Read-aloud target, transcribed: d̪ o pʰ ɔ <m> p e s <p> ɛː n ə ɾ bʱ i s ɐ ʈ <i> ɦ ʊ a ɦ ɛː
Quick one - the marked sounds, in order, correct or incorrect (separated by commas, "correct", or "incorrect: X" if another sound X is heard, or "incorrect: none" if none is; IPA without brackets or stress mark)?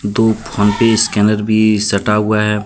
incorrect: n, incorrect: k, incorrect: a